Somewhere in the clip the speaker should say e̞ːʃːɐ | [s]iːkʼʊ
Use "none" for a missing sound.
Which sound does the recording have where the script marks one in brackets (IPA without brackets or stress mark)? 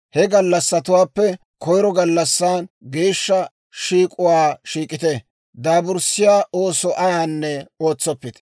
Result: ʃ